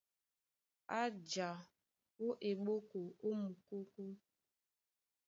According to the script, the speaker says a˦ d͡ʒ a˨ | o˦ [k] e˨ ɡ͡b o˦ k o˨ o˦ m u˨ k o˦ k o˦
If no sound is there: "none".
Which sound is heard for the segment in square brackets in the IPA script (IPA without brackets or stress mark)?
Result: ʔ